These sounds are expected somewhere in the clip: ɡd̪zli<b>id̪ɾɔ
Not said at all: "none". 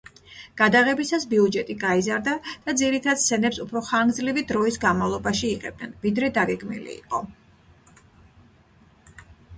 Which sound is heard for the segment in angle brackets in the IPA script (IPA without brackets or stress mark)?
v